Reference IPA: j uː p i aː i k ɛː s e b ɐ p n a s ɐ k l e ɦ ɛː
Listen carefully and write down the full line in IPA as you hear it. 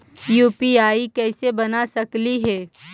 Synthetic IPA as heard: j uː p i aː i k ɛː s e b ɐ n a s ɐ k l i ɦ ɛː